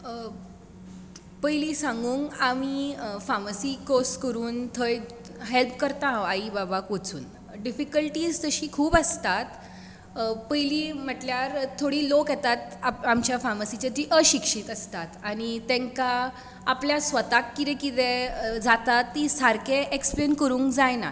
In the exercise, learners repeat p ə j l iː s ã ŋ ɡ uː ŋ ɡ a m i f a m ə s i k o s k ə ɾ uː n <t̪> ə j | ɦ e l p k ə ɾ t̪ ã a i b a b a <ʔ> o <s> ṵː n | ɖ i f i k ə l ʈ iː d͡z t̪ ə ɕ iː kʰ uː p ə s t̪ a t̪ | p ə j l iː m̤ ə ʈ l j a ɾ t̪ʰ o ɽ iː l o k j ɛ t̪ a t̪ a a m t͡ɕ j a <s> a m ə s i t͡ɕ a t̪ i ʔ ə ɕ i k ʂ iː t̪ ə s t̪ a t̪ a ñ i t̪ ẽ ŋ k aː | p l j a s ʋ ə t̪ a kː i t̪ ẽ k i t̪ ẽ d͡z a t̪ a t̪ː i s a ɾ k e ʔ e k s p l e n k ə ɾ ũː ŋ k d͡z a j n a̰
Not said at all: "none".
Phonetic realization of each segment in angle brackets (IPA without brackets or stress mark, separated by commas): t̪ʰ, k, t͡s, f